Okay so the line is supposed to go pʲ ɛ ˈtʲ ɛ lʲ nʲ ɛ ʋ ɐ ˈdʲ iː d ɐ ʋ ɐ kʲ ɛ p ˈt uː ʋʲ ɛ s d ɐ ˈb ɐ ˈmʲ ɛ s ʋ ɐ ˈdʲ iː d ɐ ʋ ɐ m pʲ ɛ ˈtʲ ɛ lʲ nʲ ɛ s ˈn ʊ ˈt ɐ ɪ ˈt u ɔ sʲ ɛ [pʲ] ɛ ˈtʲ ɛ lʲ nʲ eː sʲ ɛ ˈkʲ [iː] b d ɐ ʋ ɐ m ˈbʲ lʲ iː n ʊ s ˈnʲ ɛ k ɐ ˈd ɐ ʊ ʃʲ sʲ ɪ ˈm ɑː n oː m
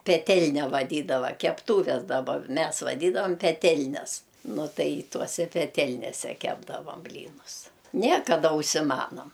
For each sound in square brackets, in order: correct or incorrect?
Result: correct, incorrect

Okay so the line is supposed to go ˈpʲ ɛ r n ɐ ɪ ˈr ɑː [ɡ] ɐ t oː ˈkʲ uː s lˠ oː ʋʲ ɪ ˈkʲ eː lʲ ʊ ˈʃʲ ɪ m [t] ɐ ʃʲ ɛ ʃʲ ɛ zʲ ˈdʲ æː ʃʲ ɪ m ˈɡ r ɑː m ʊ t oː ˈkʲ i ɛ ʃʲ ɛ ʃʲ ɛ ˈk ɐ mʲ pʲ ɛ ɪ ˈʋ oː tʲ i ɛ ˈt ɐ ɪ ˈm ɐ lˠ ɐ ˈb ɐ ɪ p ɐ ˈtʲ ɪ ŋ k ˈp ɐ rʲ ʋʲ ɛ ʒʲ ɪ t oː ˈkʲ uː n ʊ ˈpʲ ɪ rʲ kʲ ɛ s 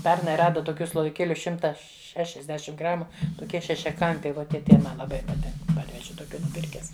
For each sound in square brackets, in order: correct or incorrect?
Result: incorrect, correct

